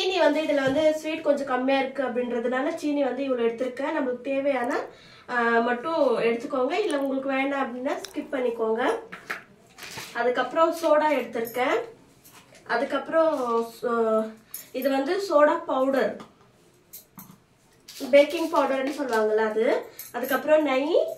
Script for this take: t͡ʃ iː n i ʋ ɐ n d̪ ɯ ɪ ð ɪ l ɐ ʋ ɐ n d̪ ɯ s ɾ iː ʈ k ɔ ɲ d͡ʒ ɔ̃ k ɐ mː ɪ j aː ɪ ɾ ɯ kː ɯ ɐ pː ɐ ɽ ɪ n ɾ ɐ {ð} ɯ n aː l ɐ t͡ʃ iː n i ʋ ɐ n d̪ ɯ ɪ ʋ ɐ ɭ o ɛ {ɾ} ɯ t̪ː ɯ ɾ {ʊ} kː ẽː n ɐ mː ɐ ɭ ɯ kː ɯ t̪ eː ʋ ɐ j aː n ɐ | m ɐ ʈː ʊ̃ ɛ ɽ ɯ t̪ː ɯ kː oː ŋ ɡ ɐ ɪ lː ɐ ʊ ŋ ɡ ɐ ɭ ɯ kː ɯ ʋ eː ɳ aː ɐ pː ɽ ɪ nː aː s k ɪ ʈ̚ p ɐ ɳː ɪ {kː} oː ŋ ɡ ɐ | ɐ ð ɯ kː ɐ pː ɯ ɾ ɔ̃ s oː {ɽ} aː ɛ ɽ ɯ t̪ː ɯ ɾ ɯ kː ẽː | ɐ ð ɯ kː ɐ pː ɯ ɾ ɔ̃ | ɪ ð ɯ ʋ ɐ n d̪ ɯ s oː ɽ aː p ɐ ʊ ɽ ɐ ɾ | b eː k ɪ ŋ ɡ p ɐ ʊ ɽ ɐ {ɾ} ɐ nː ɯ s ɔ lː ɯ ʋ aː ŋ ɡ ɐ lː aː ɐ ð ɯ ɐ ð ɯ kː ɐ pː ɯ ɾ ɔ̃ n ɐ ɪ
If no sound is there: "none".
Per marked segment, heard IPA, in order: ð, ɽ, ɯ, kː, ɽ, ɾ

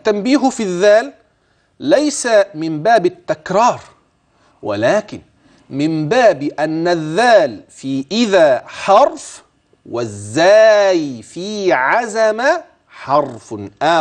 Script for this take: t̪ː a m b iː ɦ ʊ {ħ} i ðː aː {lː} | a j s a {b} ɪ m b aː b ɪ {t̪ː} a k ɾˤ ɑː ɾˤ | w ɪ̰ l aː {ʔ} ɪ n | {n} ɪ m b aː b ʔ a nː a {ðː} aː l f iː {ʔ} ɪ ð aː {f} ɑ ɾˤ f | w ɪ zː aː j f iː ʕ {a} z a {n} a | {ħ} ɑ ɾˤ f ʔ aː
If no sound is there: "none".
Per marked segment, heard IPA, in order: f, lː, m, t̪ː, k, m, ðː, ʔ, ħ, a, m, ħ

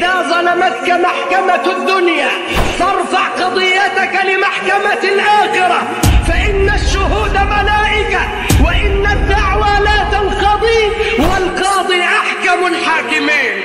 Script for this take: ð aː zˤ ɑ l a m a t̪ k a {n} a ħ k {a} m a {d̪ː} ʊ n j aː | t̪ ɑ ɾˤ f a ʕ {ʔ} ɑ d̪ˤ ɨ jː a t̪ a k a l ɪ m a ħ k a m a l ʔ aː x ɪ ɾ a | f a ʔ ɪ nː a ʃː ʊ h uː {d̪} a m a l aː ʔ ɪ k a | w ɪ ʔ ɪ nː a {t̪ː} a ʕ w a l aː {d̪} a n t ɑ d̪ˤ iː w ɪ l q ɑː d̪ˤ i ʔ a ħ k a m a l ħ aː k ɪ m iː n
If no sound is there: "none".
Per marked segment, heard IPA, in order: m, a, d̪ː, q, d̪, d̪ː, t̪

